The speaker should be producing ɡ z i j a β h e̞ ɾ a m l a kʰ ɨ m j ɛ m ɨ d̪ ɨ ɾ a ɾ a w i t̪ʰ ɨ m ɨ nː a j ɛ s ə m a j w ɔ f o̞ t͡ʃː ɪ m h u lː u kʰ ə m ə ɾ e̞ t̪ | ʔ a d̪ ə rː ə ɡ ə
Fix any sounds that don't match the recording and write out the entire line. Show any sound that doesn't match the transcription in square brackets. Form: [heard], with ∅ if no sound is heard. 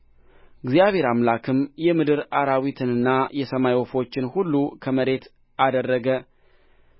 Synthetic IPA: ɡ z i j a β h e̞ ɾ a m l a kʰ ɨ m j ɛ m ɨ d̪ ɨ ɾ a ɾ a w i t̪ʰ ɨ [n] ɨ nː a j ɛ s ə m a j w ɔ f o̞ t͡ʃː ɪ [n] h u lː u kʰ ə m ə ɾ e̞ t̪ | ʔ a d̪ ə rː ə ɡ ə

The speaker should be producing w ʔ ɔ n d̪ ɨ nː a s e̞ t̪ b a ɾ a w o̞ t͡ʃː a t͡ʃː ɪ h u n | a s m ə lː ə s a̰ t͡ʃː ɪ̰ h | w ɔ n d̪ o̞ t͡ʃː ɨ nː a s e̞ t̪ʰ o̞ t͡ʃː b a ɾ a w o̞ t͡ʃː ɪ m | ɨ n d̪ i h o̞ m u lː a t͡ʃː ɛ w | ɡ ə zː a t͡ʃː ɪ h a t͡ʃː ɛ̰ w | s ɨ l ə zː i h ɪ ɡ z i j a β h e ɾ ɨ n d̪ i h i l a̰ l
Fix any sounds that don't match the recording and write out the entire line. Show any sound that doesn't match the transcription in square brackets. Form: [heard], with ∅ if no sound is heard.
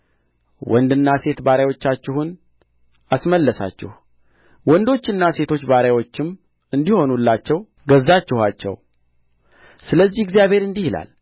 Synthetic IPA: w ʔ ɔ n d̪ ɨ nː a s e̞ t̪ b a ɾ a w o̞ t͡ʃː a t͡ʃː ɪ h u n | a s m ə lː ə s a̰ t͡ʃː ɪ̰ h | w ɔ n d̪ o̞ t͡ʃː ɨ nː a s e̞ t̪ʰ o̞ t͡ʃː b a ɾ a w o̞ t͡ʃː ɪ m | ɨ n d̪ i h o̞ [n] u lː a t͡ʃː ɛ w | ɡ ə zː a t͡ʃː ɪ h a t͡ʃː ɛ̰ w | s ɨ l ə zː i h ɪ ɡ z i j a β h e ɾ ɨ n d̪ i h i l a̰ l

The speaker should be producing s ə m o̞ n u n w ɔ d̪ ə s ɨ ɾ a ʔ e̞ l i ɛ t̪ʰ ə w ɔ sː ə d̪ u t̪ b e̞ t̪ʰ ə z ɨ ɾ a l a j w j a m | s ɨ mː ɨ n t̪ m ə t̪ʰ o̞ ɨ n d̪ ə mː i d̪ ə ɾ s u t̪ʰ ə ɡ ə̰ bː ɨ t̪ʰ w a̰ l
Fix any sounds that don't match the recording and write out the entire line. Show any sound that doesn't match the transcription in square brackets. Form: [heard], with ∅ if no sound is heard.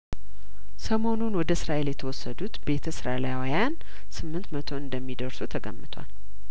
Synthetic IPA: s ə m o̞ n u n w ɔ d̪ ə s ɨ ɾ a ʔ e̞ l [j] ɛ t̪ʰ ə w ɔ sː ə d̪ u t̪ b e̞ t̪ʰ ə [s] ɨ ɾ a l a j w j a [n] | s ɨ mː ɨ n t̪ m ə t̪ʰ o̞ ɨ n d̪ ə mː i d̪ ə ɾ s u t̪ʰ ə ɡ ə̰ [mː] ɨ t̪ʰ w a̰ l

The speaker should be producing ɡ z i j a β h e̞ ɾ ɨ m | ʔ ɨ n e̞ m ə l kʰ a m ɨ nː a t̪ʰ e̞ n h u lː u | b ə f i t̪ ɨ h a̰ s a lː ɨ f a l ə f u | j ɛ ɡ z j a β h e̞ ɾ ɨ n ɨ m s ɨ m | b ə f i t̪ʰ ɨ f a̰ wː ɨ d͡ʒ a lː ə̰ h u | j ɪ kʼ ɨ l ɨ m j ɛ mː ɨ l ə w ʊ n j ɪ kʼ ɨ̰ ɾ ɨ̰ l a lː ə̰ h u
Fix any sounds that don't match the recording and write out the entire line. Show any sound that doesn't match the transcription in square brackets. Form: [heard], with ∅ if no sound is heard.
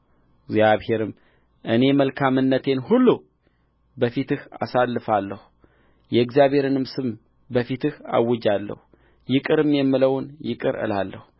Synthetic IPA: ɡ z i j a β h e̞ ɾ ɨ m | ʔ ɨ n e̞ m ə l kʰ a m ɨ nː [ə] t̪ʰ e̞ n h u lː u | b ə f i t̪ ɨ h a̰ s a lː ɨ f a [lː] ə [h] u | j ɛ ɡ z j a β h e̞ ɾ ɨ n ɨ m s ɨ m | b ə f i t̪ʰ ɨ [h] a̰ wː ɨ d͡ʒ a lː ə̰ h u | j ɪ kʼ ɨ [ɾ] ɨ m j ɛ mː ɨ l ə w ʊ n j ɪ kʼ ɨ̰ ɾ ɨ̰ l a lː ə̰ h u

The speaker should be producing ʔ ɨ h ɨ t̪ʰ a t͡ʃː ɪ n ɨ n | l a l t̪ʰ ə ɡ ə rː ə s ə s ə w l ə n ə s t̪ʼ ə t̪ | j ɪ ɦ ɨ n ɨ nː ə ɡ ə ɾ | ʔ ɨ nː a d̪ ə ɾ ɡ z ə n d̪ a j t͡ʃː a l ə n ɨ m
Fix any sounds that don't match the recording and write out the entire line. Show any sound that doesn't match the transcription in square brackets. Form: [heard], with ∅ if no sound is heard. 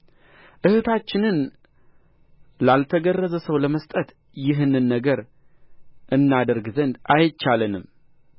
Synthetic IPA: ʔ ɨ h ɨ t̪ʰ a t͡ʃː ɪ n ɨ n | l a l t̪ʰ ə ɡ ə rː ə [z] ə s ə w l ə [m] ə s t̪ʼ ə t̪ | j ɪ ɦ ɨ n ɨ nː ə ɡ ə ɾ | ʔ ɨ nː a d̪ ə ɾ ɡ z ə n d̪ a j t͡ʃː a l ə n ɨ m

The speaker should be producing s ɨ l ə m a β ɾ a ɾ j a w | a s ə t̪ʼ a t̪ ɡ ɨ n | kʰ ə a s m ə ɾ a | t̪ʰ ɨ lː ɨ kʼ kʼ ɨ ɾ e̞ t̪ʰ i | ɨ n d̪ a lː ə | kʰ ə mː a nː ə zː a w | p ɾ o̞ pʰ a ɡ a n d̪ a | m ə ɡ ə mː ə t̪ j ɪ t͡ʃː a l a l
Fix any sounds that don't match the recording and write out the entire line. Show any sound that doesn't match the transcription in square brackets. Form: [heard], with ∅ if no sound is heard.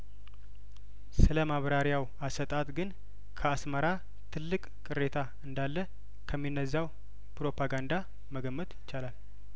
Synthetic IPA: s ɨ l ə m a β ɾ a ɾ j a w | a s ə t̪ʼ a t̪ ɡ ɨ n | kʰ ə a s m ə ɾ a | t̪ʰ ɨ lː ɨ kʼ kʼ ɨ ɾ e̞ t̪ʰ [a] | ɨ n d̪ a lː ə | kʰ ə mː [i] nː ə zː a w | p ɾ o̞ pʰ a ɡ a n d̪ a | m ə ɡ ə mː ə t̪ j ɪ t͡ʃː a l a l

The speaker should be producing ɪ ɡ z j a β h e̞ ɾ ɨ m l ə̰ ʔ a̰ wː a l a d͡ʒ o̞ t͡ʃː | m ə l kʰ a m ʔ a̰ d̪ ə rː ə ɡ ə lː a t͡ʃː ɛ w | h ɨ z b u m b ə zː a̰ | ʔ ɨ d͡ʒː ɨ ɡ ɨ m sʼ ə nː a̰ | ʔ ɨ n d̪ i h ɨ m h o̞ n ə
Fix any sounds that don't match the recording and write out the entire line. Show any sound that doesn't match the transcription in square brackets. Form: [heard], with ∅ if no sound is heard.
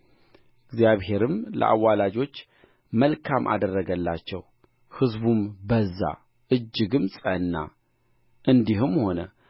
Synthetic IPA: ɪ ɡ z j a β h e̞ ɾ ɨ m l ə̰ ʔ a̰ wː a l a d͡ʒ o̞ t͡ʃː | m ə l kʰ a m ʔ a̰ d̪ ə rː ə ɡ ə lː a t͡ʃː ɛ w | h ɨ z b u m b ə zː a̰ | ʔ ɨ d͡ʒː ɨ ɡ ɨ m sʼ ə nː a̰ | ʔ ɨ n d̪ i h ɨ m h o̞ n ə

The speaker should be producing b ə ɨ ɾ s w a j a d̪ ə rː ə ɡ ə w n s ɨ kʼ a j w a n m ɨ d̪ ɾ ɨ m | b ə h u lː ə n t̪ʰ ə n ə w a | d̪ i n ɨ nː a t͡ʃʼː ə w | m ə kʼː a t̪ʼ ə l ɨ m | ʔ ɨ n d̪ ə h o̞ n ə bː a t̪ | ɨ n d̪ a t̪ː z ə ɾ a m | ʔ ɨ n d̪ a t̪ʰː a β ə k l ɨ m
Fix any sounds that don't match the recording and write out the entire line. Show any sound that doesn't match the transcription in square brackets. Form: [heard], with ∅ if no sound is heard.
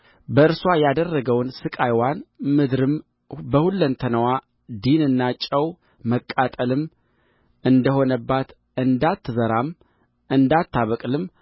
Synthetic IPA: b ə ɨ ɾ s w a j a d̪ ə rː ə ɡ ə w n s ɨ kʼ a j w a n m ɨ d̪ ɾ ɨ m | b ə h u lː ə n t̪ʰ ə n ə w a | d̪ i n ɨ nː a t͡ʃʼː ə w | m ə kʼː a t̪ʼ ə l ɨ m | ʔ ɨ n d̪ ə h o̞ n ə bː a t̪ | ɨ n d̪ a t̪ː z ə ɾ a m | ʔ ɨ n d̪ a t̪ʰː a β ə [kʼ] l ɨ m

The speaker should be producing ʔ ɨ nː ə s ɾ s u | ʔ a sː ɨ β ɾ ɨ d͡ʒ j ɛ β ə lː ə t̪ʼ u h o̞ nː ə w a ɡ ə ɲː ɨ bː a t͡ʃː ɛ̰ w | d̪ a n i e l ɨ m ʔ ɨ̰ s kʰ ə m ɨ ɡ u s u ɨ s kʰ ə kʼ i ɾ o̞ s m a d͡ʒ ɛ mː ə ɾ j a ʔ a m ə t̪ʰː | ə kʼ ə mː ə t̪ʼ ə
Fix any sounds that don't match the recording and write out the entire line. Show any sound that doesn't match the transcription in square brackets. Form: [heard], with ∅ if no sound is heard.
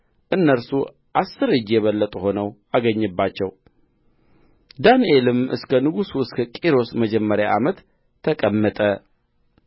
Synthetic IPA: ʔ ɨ nː ə [∅] ɾ s u | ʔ a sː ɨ [∅] ɾ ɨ d͡ʒ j ɛ β ə lː ə t̪ʼ u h o̞ [n] ə w a ɡ ə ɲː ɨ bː a t͡ʃː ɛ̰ w | d̪ a n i e l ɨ m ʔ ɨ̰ s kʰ ə [n] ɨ ɡ u s u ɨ s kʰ ə kʼ i ɾ o̞ s m [ə] d͡ʒ ɛ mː ə ɾ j a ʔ a m ə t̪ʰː | ə kʼ ə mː ə t̪ʼ ə

